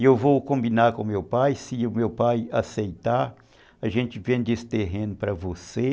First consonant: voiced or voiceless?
voiced